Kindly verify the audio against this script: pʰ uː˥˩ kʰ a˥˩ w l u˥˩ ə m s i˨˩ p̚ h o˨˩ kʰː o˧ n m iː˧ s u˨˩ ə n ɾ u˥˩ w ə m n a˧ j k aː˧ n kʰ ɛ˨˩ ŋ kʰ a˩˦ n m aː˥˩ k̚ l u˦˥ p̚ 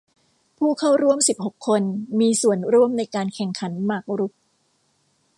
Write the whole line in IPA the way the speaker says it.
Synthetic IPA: pʰ uː˥˩ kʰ a˥˩ w ɾ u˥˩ ə m s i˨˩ p̚ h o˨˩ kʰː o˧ n m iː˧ s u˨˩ ə n ɾ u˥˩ ə m n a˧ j k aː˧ n kʰ ɛ˨˩ ŋ kʰ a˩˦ n m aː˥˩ k̚ ɾ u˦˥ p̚